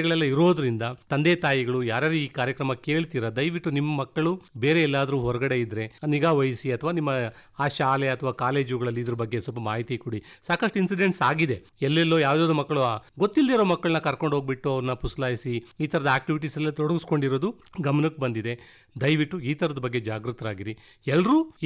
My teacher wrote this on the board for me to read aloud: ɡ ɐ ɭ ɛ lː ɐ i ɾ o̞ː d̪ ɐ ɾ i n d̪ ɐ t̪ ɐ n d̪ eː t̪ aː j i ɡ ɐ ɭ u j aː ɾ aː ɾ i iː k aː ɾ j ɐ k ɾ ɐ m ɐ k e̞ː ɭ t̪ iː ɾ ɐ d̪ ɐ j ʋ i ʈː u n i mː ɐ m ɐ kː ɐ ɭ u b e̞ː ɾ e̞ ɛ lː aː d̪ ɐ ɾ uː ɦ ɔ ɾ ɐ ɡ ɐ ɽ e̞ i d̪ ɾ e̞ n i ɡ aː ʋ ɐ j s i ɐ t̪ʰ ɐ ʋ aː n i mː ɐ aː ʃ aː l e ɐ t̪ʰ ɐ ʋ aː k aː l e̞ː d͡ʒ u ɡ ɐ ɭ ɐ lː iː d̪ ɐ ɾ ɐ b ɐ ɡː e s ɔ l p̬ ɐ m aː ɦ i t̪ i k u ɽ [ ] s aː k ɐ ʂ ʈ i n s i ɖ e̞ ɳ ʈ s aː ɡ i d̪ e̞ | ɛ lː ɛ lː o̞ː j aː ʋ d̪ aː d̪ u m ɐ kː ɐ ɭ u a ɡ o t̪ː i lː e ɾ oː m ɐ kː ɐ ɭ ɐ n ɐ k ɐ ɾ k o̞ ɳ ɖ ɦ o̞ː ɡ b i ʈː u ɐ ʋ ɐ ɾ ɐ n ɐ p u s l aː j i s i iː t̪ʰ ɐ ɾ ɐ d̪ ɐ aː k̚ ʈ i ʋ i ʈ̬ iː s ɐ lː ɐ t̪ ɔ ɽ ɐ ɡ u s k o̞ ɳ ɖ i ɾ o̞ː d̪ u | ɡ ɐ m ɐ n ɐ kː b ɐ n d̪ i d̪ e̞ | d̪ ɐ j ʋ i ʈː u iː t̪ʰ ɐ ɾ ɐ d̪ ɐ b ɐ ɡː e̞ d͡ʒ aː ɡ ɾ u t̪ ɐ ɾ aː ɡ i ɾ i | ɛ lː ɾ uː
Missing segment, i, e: i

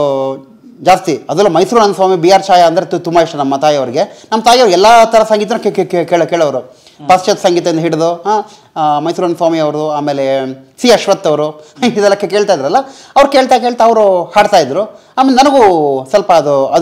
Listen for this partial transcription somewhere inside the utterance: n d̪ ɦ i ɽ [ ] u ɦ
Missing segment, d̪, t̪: d̪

